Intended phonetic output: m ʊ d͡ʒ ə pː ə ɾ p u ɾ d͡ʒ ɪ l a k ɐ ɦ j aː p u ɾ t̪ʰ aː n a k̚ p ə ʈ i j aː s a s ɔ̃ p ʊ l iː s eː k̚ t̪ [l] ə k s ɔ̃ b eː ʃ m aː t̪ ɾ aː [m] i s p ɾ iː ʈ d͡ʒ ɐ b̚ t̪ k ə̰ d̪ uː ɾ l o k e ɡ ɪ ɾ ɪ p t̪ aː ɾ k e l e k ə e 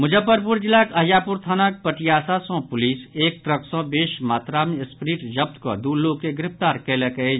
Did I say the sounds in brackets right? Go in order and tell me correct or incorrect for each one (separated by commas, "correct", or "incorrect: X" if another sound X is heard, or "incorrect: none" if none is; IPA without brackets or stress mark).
incorrect: ɾ, correct